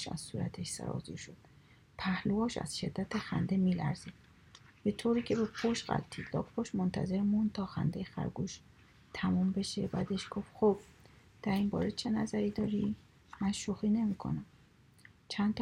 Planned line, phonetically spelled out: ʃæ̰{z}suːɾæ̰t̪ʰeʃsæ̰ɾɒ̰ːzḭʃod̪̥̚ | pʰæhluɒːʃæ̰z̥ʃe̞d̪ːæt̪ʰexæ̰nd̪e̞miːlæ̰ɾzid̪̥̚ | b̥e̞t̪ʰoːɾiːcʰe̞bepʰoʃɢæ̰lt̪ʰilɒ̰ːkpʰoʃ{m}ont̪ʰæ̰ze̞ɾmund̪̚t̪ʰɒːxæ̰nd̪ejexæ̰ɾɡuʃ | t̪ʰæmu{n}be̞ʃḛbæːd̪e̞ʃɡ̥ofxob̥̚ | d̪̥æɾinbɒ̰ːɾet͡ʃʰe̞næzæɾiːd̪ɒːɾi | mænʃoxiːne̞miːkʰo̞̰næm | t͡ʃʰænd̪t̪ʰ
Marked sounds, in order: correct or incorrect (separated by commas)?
correct, correct, incorrect